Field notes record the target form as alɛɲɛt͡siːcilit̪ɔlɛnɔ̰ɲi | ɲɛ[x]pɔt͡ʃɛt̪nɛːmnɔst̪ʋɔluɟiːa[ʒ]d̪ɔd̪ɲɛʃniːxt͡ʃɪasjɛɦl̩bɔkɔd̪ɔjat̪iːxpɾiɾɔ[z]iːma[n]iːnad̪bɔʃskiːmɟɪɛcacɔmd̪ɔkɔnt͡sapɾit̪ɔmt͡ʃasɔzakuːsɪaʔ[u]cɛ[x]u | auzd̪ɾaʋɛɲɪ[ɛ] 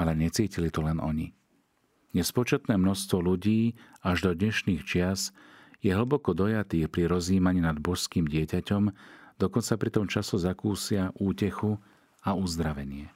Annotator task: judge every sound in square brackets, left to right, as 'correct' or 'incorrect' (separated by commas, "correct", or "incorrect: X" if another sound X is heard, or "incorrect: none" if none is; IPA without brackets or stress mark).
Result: incorrect: s, correct, correct, incorrect: ɲ, incorrect: uː, correct, correct